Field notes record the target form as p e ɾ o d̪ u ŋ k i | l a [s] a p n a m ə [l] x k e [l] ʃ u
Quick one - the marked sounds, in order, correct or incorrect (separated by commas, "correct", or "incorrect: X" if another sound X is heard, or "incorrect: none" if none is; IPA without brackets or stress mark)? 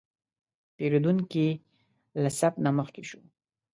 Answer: correct, incorrect: none, incorrect: none